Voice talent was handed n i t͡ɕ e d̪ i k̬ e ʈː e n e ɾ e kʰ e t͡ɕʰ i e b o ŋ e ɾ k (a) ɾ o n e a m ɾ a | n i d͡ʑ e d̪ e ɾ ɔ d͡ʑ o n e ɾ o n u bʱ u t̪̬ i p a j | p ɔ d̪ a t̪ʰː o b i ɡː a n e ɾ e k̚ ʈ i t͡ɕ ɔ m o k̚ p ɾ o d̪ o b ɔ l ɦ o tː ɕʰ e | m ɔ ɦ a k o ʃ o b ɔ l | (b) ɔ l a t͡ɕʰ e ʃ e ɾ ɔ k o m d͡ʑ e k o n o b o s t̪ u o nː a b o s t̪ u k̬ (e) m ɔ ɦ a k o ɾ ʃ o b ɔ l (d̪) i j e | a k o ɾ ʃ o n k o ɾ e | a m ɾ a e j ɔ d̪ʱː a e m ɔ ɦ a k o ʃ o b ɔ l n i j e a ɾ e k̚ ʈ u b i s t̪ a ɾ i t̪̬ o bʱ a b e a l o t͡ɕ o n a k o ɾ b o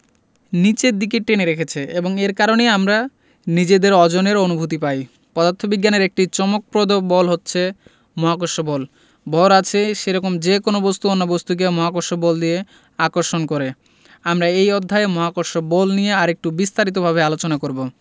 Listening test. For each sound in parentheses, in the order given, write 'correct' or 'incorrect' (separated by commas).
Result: correct, correct, correct, correct